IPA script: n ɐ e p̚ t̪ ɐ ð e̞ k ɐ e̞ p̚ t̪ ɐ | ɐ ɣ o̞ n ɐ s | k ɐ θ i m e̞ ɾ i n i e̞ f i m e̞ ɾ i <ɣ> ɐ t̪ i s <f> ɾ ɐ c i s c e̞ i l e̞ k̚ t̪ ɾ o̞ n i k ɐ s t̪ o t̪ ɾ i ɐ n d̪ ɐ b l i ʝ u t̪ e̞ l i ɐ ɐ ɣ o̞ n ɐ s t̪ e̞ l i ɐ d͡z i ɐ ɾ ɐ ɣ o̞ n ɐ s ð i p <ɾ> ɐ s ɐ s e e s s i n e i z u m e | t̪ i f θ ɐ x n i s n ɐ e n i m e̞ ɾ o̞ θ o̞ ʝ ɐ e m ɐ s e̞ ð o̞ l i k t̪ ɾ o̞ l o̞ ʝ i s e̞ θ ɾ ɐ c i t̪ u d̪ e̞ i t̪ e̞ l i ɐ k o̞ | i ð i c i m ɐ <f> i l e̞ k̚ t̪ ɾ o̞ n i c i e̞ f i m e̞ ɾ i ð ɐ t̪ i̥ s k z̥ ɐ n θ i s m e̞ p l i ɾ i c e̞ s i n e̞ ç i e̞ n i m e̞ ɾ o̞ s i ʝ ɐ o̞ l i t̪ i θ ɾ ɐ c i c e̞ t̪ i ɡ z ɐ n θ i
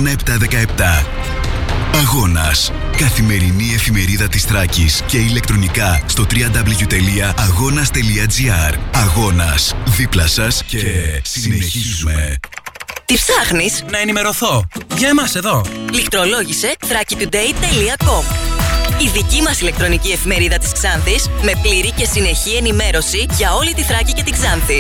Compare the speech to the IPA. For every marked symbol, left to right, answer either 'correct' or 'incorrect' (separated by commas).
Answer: incorrect, incorrect, incorrect, incorrect